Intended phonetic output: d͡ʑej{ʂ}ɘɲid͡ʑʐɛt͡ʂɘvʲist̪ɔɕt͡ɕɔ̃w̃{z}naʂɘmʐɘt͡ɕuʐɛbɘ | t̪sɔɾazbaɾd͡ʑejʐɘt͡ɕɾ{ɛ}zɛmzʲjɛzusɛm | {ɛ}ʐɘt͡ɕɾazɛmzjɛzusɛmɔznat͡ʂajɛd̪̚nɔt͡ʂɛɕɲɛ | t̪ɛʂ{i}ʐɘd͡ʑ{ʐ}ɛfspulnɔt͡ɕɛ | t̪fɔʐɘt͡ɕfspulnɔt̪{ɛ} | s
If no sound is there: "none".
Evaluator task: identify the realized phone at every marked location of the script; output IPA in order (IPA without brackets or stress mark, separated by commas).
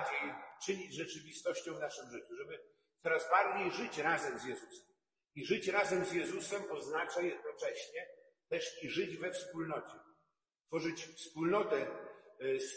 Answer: t͡ʂ, v, a, i, i, v, ɛ